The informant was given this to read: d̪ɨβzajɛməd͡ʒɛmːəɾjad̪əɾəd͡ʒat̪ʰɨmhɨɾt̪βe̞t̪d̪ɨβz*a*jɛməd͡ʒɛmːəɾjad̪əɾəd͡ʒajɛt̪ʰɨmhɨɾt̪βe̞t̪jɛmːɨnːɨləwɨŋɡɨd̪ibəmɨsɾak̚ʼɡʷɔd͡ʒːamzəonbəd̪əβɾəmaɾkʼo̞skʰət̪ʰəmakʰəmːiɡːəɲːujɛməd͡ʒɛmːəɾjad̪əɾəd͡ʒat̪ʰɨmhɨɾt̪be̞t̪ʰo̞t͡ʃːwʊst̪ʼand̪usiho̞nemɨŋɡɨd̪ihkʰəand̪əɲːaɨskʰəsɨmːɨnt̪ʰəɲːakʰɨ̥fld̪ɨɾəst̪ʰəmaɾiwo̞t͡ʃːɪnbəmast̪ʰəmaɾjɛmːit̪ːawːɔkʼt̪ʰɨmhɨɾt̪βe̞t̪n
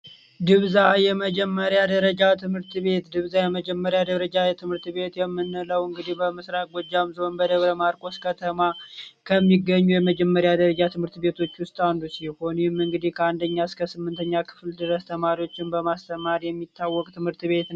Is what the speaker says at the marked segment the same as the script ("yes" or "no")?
yes